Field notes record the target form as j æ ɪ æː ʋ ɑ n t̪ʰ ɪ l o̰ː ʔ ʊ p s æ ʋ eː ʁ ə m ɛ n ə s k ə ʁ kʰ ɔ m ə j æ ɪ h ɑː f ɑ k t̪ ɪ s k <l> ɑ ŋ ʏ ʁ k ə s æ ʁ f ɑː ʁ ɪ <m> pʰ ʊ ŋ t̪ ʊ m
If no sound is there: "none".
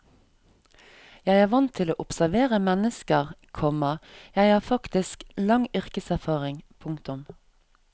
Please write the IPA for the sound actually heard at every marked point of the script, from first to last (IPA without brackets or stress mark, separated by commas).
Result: l, ŋ